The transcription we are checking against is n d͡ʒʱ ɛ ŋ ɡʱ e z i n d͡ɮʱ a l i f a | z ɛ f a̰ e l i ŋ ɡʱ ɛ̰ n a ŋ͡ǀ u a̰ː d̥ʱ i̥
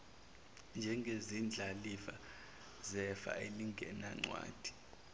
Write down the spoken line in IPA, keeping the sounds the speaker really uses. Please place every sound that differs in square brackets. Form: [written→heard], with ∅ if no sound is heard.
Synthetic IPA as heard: n d͡ʒʱ ɛ ŋ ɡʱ e z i n d͡ɮʱ a l i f a | z ɛ f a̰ e l i ŋ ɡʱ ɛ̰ n a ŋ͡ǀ [u→w] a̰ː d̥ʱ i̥